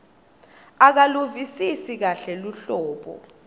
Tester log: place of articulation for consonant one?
velar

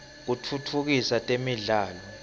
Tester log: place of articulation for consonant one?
velar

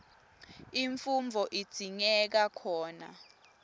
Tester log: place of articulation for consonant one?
labial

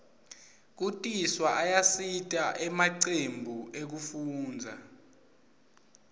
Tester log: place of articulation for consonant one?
velar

